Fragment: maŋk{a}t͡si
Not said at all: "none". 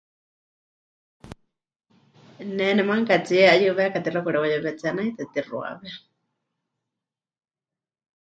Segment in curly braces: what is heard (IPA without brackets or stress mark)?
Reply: a